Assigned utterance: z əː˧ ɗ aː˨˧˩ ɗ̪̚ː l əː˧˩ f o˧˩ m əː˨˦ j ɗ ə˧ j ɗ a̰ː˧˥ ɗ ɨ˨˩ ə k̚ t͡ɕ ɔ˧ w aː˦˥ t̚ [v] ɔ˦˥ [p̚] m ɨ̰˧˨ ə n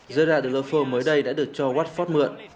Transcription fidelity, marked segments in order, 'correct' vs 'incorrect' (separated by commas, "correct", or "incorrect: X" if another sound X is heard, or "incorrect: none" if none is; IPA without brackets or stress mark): incorrect: f, incorrect: t̚